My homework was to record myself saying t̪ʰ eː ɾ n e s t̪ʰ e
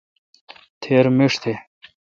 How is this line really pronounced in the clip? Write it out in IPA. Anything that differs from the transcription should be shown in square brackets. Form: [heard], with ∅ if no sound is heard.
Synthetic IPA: t̪ʰ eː ɾ [m] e [ʂ] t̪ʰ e